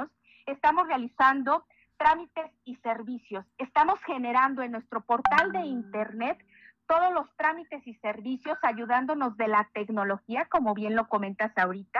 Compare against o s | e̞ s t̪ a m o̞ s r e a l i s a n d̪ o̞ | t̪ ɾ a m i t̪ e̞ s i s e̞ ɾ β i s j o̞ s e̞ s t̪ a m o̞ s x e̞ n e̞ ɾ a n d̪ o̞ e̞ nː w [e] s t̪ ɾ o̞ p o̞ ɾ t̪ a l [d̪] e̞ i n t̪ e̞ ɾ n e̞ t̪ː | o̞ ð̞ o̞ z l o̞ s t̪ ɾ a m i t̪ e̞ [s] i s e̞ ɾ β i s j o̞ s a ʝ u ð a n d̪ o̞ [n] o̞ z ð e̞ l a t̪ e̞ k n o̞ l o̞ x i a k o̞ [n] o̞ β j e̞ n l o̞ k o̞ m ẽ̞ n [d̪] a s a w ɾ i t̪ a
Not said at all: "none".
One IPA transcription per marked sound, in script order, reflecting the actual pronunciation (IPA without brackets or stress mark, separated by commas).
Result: e, d̪, s, n, m, t̪